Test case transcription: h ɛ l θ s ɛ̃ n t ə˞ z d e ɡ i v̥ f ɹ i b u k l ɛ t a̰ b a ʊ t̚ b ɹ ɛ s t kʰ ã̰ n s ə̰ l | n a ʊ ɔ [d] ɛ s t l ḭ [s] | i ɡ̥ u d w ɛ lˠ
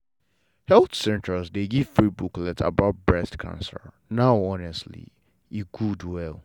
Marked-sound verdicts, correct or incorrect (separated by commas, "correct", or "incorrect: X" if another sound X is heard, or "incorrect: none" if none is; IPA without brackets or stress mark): incorrect: n, incorrect: none